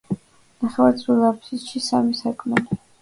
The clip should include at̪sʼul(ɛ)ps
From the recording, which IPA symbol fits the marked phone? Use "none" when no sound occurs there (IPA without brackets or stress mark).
a